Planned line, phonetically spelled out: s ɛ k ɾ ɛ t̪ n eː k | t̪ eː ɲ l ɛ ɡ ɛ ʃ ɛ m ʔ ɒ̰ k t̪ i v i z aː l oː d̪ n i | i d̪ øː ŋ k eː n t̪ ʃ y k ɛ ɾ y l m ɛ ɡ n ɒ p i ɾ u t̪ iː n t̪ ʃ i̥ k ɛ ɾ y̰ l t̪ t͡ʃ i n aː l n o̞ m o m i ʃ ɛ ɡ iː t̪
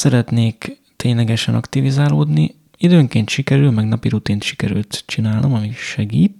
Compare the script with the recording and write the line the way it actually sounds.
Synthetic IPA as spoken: s ɛ ɾ ɛ t̪ n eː k | t̪ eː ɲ l ɛ ɡ ɛ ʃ ɛ n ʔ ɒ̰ k t̪ i v i z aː l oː d̪ n i | i d̪ øː ŋ k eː n t̪ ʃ i k ɛ ɾ y l m ɛ ɡ n ɒ p i ɾ u t̪ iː n t̪ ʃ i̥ k ɛ ɾ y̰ l t̪ t͡ʃ i n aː l n o̞ m ɒ m i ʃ ɛ ɡ iː t̪